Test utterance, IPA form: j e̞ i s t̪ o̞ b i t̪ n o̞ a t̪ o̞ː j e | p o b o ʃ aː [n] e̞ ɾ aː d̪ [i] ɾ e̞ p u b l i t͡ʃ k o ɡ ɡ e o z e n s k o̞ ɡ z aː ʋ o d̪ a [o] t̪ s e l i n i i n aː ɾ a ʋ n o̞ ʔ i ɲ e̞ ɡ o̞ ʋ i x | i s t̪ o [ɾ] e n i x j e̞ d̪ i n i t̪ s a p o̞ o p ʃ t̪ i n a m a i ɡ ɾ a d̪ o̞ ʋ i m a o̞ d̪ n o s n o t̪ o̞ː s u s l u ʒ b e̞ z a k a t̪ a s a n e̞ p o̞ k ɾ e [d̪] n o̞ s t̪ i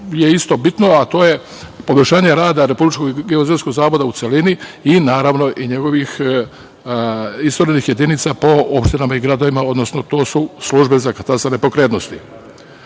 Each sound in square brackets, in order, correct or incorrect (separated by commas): incorrect, incorrect, incorrect, correct, incorrect